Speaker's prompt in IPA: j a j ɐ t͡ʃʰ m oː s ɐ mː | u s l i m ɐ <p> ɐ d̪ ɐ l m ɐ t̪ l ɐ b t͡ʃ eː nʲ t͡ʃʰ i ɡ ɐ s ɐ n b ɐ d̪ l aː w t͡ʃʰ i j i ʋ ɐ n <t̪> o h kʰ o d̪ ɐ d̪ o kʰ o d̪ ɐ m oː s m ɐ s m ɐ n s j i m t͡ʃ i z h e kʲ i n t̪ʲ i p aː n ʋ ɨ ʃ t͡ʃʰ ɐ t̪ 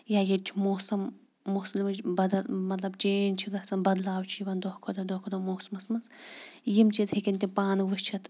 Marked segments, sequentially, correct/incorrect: incorrect, incorrect

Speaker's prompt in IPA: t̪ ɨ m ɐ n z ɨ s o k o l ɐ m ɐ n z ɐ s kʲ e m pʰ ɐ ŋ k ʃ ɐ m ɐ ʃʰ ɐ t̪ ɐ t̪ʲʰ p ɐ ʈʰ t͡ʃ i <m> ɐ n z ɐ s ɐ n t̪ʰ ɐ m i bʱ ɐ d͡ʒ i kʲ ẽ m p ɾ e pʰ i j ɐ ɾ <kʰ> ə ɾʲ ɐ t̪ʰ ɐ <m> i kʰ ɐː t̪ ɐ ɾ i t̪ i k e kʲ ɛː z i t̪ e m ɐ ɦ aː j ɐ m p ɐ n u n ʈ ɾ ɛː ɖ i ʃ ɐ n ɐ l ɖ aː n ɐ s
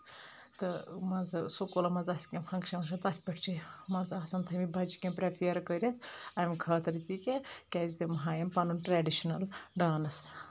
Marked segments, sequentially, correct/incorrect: correct, incorrect, correct

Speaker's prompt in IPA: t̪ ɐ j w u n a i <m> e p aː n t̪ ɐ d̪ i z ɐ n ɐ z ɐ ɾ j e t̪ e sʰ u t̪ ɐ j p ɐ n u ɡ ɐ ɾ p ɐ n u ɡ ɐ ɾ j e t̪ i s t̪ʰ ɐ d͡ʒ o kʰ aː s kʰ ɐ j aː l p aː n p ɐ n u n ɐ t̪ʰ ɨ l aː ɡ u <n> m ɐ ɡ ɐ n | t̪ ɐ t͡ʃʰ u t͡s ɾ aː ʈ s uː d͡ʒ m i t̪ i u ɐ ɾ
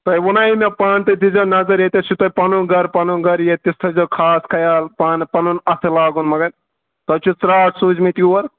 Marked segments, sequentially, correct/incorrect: correct, correct

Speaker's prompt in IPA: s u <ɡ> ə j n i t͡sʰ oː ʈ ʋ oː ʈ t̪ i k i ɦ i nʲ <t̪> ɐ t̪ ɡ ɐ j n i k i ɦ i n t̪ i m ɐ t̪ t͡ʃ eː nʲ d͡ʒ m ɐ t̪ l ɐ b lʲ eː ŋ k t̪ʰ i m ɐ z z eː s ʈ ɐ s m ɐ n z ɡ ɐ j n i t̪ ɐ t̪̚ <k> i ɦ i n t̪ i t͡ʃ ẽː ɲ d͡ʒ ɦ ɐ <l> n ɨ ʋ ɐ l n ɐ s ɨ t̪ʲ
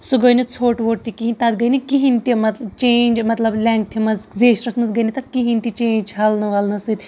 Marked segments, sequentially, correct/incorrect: correct, correct, correct, correct

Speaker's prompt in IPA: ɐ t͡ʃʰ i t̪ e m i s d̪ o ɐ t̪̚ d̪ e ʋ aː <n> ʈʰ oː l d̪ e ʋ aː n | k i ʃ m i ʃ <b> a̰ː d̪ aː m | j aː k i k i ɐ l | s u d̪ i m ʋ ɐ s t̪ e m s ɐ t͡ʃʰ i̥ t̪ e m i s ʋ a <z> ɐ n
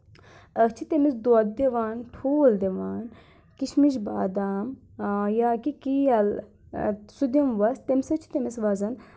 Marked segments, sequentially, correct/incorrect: correct, correct, correct

